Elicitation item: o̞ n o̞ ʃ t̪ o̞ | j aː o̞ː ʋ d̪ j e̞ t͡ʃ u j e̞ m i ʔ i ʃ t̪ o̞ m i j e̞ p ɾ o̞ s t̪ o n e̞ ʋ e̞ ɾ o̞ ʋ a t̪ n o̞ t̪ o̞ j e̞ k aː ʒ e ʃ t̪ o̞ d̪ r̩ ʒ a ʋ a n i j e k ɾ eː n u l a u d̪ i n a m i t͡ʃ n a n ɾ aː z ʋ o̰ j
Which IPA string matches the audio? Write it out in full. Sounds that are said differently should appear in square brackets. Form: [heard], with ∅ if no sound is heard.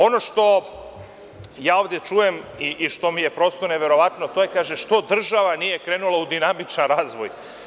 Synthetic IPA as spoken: o̞ n o̞ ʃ t̪ o̞ | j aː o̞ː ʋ d̪ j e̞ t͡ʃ u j e̞ m i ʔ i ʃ t̪ o̞ m i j e̞ p ɾ o̞ s t̪ o n e̞ ʋ e̞ ɾ o̞ ʋ a t̪ n o̞ t̪ o̞ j e̞ k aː ʒ e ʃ t̪ o̞ d̪ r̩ ʒ a ʋ a n i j e k ɾ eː n u l a u d̪ i n a m i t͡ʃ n a n ɾ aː z ʋ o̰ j

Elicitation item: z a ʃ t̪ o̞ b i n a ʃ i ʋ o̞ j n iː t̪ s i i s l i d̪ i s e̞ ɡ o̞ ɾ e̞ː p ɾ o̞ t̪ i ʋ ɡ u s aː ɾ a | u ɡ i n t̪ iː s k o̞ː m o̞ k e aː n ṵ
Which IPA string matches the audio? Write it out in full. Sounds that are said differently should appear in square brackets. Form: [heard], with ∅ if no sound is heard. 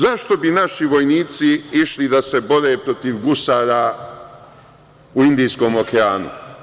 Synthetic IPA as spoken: z a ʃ t̪ o̞ b i n a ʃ i ʋ o̞ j n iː t̪ s i i [ʃ] l i d̪ [a] s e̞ [b] o̞ ɾ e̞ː p ɾ o̞ t̪ i ʋ ɡ u s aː ɾ a | u [∅] i n [d̪] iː s k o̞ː m o̞ k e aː n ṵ

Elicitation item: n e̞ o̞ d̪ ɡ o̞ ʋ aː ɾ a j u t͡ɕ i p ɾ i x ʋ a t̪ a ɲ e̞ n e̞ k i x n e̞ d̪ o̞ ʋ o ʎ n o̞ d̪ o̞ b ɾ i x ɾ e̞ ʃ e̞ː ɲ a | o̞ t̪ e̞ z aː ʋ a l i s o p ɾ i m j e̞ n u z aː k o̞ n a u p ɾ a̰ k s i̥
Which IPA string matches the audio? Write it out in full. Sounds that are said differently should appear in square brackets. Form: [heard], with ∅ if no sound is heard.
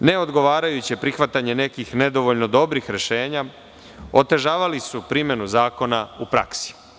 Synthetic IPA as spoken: n e̞ o̞ d̪ ɡ o̞ ʋ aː ɾ a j u t͡ɕ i p ɾ i x ʋ a t̪ a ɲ e̞ n e̞ k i x n e̞ d̪ o̞ ʋ o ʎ n o̞ d̪ o̞ b ɾ i x ɾ e̞ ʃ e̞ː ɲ a | o̞ t̪ e̞ [ʒ] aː ʋ a l i s [u] p ɾ i m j e̞ n u z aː k o̞ n a u p ɾ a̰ k s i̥

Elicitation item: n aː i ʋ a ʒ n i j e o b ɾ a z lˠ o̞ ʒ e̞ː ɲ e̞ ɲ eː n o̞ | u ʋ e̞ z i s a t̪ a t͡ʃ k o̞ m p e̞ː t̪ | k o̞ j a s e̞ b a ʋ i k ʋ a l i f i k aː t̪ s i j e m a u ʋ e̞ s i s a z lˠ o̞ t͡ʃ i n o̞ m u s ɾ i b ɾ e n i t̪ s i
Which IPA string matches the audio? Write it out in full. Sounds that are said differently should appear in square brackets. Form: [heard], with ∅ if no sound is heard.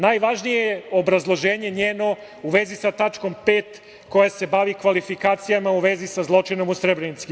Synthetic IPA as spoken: n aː [j] ʋ a ʒ n i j e o b ɾ a z lˠ o̞ ʒ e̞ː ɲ e̞ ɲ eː n o̞ | u ʋ e̞ z i s a t̪ a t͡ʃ k o̞ m p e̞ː t̪ | k o̞ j a s e̞ b a ʋ i k ʋ a l i f i k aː t̪ s i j [a] m a u ʋ e̞ [z] i s a z lˠ o̞ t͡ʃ i n o̞ m u s ɾ [e] b ɾ e n i t̪ s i

